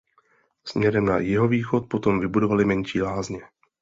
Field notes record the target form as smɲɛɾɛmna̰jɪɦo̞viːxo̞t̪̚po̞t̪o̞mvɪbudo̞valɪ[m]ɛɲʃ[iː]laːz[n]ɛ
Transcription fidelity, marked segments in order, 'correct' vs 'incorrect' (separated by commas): correct, correct, incorrect